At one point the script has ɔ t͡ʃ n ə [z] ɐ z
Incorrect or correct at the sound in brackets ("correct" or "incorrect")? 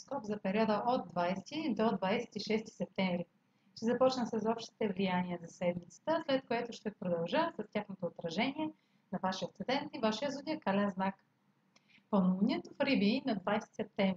incorrect